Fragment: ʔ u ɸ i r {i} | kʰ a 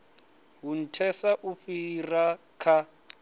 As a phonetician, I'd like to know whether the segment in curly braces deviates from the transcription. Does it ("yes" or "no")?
yes